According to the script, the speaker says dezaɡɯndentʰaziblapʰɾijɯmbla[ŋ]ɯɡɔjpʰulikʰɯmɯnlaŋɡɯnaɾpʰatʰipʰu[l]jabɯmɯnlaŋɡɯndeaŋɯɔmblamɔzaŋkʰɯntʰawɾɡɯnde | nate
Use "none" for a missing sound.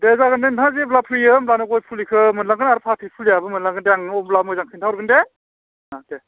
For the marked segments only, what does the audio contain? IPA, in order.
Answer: n, l

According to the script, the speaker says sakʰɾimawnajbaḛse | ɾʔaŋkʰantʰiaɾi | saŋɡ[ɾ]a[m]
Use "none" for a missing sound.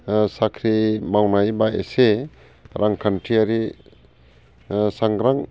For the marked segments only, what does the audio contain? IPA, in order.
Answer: ɾ, ŋ

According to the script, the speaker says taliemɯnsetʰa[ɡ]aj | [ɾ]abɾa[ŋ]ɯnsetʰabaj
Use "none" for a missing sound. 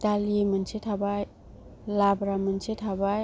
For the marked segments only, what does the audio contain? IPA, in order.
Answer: b, l, m

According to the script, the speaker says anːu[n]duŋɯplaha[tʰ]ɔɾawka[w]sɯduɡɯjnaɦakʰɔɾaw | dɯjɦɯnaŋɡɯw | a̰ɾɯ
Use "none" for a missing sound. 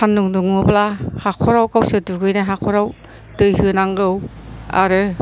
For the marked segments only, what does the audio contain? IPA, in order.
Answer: ŋ, kʰ, w

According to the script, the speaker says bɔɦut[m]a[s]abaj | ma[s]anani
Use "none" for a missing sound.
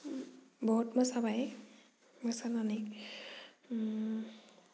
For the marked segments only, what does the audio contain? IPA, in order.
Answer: m, s, s

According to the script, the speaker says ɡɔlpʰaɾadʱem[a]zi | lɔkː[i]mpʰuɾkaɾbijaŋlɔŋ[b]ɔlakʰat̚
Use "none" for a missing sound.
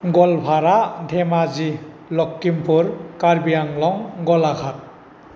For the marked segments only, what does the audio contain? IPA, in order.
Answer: a, i, ɡ

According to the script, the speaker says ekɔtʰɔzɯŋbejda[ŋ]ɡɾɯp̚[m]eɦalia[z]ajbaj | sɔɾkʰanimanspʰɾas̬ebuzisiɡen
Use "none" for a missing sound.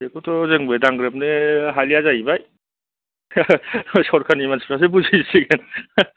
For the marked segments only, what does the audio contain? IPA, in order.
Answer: ŋ, n, z

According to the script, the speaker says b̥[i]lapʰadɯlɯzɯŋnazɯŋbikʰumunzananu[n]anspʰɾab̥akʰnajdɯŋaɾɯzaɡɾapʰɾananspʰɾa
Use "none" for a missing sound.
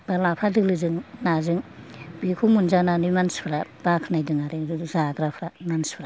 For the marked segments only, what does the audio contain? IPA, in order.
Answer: a, m

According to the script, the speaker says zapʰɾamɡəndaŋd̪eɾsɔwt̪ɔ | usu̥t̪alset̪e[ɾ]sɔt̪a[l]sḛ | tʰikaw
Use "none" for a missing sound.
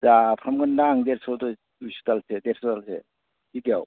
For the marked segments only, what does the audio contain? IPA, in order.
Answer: ɾ, l

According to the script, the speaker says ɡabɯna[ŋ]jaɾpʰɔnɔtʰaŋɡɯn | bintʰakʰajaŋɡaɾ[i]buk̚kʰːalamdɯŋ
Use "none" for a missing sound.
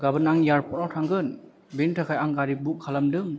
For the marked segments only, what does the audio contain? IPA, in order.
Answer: ŋ, i

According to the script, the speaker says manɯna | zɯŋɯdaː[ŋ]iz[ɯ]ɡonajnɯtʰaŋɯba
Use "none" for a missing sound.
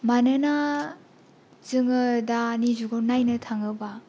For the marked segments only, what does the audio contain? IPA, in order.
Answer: n, u

